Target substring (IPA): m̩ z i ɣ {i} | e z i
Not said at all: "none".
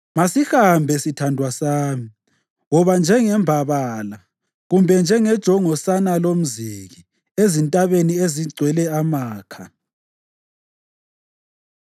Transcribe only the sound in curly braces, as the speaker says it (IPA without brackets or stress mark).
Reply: i